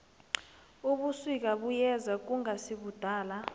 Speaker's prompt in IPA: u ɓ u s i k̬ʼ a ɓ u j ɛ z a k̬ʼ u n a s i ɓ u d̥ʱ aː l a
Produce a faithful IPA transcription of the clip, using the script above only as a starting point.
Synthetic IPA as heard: u ɓ u s i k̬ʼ a ɓ u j ɛ z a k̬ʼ u ŋ a s i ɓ u d̥ʱ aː l a